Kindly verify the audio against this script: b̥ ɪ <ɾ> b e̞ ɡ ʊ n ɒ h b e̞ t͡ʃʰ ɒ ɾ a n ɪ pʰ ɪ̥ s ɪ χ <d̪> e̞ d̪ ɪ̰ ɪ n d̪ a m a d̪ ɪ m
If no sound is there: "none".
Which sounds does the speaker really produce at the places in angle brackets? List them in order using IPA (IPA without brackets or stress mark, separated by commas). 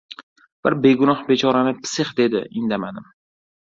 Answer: ɾ, d̪